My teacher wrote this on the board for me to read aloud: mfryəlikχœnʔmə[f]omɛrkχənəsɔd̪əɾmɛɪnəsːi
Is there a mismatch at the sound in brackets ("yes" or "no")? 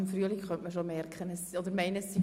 yes